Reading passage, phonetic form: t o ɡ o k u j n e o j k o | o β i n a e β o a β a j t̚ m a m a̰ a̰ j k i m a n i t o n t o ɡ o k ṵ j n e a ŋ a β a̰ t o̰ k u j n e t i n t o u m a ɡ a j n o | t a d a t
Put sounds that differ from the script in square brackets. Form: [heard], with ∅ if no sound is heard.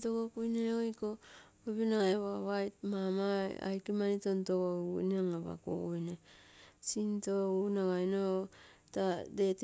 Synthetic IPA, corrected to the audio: t o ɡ o k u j n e o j k o | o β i n a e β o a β a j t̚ m a m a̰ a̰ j k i m a n i t o n t o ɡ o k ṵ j n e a ŋ a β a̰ [k] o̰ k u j n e [s] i n t o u [n] a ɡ a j n o | t a d [e] t